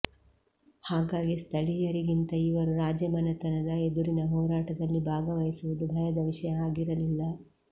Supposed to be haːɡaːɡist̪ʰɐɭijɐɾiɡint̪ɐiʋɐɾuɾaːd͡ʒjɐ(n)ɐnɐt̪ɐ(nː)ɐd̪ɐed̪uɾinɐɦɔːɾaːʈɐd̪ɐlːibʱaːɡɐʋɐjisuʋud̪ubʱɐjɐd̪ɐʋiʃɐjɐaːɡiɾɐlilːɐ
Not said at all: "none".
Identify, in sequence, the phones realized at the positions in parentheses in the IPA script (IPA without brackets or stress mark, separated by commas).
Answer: m, n